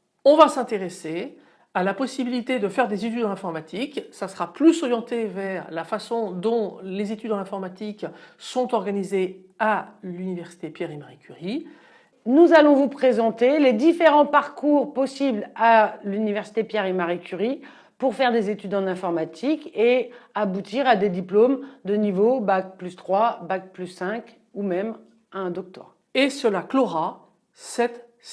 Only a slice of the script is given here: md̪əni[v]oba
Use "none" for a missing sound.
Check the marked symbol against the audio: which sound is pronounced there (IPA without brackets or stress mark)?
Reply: v